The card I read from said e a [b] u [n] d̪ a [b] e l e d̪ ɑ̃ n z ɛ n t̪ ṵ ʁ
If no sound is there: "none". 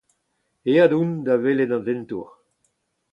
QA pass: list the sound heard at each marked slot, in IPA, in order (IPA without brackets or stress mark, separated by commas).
d, n, v